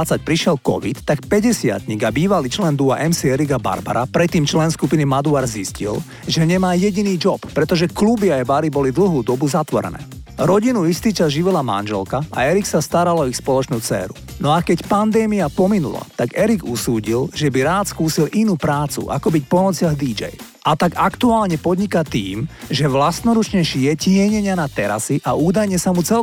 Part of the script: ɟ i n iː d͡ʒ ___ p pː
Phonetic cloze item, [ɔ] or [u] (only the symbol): ɔ